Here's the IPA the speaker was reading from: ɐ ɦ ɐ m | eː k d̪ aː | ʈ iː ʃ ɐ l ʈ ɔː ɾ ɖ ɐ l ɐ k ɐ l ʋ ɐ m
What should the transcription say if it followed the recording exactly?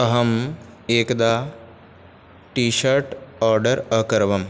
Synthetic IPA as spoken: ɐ ɦ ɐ m | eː k d̪ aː | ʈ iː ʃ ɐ ɾ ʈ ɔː ɾ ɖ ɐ ɾ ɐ k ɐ ɾ ʋ ɐ m

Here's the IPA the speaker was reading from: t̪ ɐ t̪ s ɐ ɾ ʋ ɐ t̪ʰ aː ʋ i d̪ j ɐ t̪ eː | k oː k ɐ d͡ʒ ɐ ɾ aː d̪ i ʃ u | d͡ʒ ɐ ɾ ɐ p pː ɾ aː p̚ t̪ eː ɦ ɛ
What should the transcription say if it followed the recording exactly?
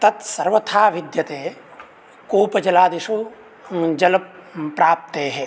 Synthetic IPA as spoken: t̪ ɐ t̪ s ɐ ɾ ʋ ɐ t̪ʰ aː ʋ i d̪ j ɐ t̪ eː | k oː p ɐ d͡ʒ ɐ l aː d̪ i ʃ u | d͡ʒ ɐ l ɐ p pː ɾ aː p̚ t̪ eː ɦ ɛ

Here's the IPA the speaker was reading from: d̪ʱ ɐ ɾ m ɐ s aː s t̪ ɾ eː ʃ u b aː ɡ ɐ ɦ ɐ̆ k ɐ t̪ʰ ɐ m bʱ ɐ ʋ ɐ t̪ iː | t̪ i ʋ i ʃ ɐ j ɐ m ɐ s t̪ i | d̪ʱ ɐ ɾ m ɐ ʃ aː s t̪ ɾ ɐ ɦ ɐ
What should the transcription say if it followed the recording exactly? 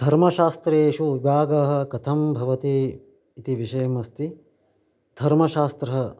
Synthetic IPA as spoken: d̪ʱ ɐ ɾ m ɐ ʃ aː s t̪ ɾ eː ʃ u b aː ɡ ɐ ɦ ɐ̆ k ɐ t̪ʰ ɐ m bʱ ɐ ʋ ɐ t̪ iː | t̪ i ʋ i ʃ ɐ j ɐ m ɐ s t̪ i | d̪ʱ ɐ ɾ m ɐ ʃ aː s t̪ ɾ ɐ ɦ ɐ

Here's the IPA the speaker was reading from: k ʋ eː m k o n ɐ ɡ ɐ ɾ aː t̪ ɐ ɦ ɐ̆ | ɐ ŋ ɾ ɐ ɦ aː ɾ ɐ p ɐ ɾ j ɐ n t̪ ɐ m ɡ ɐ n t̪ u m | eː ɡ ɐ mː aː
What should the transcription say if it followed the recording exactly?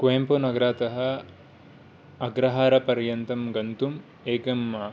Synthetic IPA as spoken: k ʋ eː m p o n ɐ ɡ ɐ ɾ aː t̪ ɐ ɦ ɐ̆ | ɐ ɡ ɾ ɐ ɦ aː ɾ ɐ p ɐ ɾ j ɐ n t̪ ɐ m ɡ ɐ n t̪ u m | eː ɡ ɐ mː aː

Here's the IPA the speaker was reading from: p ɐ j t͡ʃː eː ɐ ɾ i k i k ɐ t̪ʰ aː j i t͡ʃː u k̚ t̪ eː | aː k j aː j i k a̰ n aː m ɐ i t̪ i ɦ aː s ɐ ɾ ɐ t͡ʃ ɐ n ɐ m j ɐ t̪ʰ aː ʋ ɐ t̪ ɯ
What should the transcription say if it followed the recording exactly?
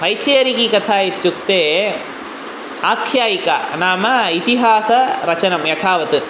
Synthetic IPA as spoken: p ɐ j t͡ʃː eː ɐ ɾ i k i k ɐ t̪ʰ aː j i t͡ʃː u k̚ t̪ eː | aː kʰ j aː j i k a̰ n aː m ɐ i t̪ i ɦ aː s ɐ ɾ ɐ t͡ʃ ɐ n ɐ m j ɐ t̪ʰ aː ʋ ɐ t̪ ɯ

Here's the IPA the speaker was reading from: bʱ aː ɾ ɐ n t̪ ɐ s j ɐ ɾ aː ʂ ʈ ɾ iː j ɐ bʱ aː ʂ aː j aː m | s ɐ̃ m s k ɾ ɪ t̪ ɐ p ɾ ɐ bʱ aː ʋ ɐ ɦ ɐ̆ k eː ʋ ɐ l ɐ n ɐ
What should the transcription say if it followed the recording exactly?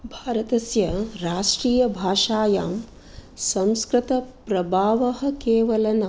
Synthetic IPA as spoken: bʱ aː ɾ ɐ t̪ ɐ s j ɐ ɾ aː ʂ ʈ ɾ iː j ɐ bʱ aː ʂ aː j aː m | s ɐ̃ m s k ɾ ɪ t̪ ɐ p ɾ ɐ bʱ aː ʋ ɐ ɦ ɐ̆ k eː ʋ ɐ l ɐ n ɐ

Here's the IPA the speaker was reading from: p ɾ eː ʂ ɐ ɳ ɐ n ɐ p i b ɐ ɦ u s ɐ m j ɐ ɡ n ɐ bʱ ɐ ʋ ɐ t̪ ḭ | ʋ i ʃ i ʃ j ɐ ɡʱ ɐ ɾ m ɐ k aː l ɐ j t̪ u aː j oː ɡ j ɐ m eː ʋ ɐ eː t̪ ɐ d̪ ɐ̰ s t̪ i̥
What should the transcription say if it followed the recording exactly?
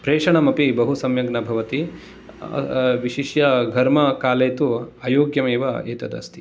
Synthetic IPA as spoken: p ɾ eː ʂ ɐ ɳ ɐ m ɐ p i b ɐ ɦ u s ɐ m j ɐ ɡ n ɐ bʱ ɐ ʋ ɐ t̪ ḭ | ʋ i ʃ i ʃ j ɐ ɡʱ ɐ ɾ m ɐ k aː l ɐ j t̪ u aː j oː ɡ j ɐ m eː ʋ ɐ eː t̪ ɐ d̪ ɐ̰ s t̪ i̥

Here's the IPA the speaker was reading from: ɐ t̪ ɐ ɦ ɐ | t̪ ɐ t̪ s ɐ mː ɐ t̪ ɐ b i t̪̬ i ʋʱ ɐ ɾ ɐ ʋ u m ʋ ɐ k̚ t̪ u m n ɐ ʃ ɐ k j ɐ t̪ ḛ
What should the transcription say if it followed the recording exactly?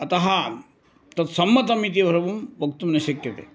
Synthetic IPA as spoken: ɐ t̪ ɐ ɦ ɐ | t̪ ɐ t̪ s ɐ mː ɐ t̪ ɐ m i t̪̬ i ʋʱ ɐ ɾ ɐ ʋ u m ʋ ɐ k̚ t̪ u m n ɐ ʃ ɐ k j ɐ t̪ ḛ

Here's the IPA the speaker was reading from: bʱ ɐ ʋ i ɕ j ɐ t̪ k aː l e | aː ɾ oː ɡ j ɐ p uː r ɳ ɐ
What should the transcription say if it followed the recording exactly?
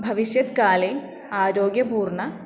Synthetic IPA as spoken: bʱ ɐ ʋ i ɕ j ɐ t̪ k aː l e | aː ɾ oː ɡ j ɐ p uː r ɳ ɐ

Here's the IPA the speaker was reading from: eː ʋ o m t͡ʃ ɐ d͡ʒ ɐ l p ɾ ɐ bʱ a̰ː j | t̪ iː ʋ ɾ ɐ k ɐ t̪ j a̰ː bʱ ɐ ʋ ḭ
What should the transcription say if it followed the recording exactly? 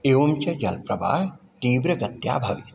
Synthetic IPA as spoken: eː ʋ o m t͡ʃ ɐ d͡ʒ ɐ l p ɾ ɐ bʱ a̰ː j | t̪ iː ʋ ɾ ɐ ɡ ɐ t̪ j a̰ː bʱ ɐ ʋ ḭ

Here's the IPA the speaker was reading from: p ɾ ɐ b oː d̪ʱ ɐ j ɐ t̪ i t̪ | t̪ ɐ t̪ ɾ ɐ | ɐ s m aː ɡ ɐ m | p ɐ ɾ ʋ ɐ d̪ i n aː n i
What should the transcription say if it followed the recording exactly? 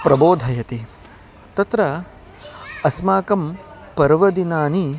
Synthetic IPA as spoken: p ɾ ɐ b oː d̪ʱ ɐ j ɐ t̪ i | t̪ ɐ t̪ ɾ ɐ | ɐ s m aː k ɐ m | p ɐ ɾ ʋ ɐ d̪ i n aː n i

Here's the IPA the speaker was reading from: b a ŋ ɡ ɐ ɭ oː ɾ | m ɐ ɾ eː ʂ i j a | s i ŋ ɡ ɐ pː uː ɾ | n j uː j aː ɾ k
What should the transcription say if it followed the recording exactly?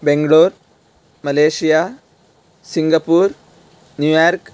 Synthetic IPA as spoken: b e ŋ ɡ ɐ ɭ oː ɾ | m ɐ l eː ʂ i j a | s i ŋ ɡ ɐ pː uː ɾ | n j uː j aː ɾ k

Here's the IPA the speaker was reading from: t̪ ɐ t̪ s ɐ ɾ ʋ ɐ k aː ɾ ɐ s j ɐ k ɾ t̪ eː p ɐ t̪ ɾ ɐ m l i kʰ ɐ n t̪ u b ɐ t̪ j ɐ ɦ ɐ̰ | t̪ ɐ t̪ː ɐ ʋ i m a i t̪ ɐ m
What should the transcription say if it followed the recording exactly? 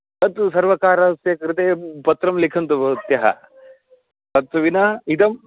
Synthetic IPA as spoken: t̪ ɐ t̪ s ɐ ɾ ʋ ɐ k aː ɾ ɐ s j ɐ k ɾ t̪ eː p ɐ t̪ ɾ ɐ m l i kʰ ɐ n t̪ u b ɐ t̪ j ɐ ɦ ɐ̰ | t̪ ɐ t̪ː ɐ ʋ i n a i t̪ ɐ m

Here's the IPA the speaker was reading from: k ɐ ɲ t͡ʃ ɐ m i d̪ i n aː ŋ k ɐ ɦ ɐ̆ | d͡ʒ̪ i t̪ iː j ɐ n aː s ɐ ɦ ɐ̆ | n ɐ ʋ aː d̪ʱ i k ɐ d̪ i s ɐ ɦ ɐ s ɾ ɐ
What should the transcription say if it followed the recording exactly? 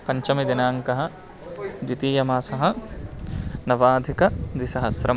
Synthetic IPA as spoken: p ɐ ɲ t͡ʃ ɐ m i d̪ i n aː ŋ k ɐ ɦ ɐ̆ | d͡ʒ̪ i t̪ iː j ɐ m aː s ɐ ɦ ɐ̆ | n ɐ ʋ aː d̪ʱ i k ɐ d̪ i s ɐ ɦ ɐ s ɾ ɐ

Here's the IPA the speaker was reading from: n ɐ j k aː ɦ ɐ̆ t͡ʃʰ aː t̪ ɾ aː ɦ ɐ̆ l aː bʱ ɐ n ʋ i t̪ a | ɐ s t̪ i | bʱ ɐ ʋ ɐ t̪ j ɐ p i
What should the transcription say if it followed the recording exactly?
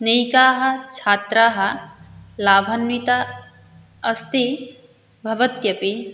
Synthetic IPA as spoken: n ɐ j k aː ɦ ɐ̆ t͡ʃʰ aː t̪ ɾ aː ɦ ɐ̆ l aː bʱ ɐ n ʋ i t̪ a | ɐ s t̪ i | bʱ ɐ ʋ ɐ t̪ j ɐ p i

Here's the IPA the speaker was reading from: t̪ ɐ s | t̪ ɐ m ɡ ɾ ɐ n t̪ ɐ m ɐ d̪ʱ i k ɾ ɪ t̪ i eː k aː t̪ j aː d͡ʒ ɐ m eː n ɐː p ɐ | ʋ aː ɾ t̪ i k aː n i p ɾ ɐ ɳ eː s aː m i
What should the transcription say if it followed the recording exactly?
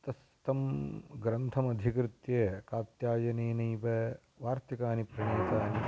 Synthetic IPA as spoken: t̪ ɐ s | t̪ ɐ m ɡ ɾ ɐ n t̪ʰ ɐ m ɐ d̪ʱ i k ɾ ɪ t̪ j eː k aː t̪ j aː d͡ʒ ɐ n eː n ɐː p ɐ | ʋ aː ɾ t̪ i k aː n i p ɾ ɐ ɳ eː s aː n i

